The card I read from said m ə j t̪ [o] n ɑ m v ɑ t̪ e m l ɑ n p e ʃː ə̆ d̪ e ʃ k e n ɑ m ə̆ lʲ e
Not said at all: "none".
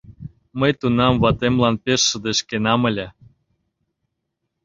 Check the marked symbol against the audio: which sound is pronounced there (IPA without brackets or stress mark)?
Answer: u